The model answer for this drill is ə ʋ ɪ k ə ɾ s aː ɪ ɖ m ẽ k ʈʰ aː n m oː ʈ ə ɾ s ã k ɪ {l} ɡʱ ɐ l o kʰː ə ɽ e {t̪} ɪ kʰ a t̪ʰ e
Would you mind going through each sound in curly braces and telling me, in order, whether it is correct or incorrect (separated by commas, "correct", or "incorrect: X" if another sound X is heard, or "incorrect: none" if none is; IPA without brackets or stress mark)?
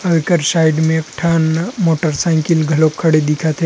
correct, incorrect: d̪